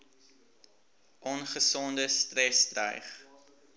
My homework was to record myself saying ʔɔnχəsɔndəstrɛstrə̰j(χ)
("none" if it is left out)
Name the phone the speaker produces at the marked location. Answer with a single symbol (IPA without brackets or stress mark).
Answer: χ